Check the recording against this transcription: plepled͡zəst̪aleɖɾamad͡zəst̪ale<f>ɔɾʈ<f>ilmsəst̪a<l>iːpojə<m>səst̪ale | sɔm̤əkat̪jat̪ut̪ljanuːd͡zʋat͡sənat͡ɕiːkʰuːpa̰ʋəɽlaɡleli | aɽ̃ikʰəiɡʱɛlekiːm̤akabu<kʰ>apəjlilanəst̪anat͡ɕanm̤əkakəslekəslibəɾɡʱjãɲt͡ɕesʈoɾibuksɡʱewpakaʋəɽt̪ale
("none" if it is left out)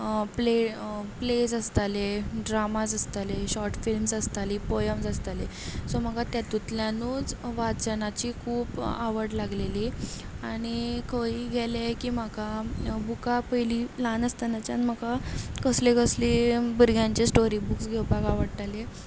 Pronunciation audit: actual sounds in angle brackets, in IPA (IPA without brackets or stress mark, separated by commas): ɕ, f, l, m, k